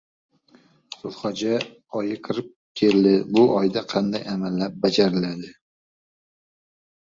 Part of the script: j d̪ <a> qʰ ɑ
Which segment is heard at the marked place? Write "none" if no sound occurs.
a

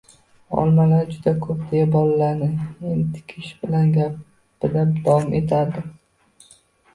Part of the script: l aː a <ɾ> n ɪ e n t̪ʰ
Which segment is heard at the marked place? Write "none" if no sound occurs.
ɾ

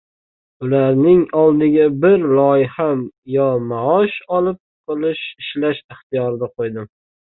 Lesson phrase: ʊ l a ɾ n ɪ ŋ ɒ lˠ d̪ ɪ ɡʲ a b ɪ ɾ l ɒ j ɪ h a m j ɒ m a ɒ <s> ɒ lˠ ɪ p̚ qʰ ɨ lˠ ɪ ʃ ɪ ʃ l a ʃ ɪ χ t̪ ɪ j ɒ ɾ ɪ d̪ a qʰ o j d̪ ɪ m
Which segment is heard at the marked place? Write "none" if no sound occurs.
ʃ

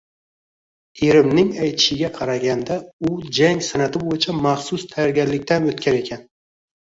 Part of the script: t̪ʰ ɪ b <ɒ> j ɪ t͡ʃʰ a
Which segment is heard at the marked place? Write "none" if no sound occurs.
o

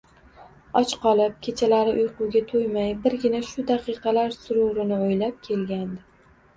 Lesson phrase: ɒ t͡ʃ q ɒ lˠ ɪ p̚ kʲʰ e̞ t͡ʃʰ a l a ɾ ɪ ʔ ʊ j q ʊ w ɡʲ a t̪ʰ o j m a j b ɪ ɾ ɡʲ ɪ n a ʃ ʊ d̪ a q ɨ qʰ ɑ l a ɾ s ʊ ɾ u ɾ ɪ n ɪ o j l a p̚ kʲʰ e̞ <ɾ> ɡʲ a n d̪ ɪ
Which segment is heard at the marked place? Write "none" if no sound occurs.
l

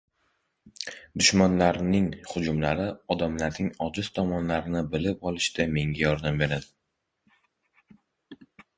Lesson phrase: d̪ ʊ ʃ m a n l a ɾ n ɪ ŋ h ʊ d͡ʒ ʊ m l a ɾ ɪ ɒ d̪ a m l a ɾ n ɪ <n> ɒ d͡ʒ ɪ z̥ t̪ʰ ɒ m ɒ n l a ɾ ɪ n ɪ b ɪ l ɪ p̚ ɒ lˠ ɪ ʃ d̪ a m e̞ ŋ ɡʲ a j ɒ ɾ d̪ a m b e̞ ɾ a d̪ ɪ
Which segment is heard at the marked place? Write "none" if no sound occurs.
ŋ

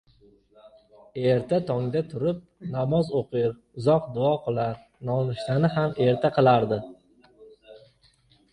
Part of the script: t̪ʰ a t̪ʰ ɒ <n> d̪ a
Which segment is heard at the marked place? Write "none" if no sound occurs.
ŋ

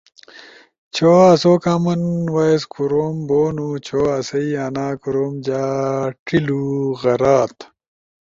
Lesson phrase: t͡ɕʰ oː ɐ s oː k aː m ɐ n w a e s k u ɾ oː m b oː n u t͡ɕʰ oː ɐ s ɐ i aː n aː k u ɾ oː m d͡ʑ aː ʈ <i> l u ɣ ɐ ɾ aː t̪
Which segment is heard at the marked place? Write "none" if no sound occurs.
i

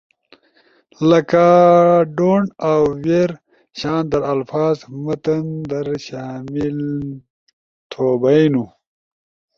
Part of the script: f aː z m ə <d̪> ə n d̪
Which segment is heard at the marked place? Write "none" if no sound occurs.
t̪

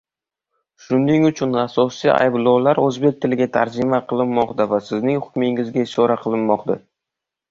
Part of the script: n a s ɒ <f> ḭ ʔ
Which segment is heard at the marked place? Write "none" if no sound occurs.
s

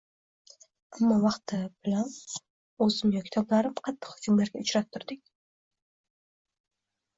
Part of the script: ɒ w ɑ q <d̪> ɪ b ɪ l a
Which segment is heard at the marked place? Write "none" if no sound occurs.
t̪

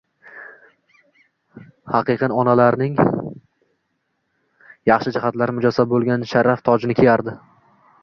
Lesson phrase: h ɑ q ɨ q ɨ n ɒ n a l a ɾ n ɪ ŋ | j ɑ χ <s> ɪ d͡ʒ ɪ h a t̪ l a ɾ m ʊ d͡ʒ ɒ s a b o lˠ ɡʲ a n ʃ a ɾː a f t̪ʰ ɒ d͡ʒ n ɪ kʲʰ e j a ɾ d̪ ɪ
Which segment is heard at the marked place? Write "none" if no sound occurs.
ʃ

